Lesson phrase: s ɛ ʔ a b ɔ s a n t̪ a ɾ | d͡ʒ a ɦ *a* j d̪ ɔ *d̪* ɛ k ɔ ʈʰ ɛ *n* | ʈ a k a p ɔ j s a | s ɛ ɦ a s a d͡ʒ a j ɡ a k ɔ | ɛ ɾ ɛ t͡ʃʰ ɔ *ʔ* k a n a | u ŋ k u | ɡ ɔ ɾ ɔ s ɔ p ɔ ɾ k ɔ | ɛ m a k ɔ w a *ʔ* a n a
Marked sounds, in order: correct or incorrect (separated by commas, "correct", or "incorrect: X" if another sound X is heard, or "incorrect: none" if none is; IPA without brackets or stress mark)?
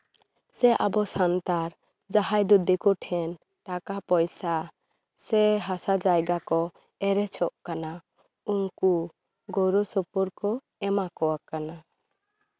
correct, correct, correct, correct, incorrect: k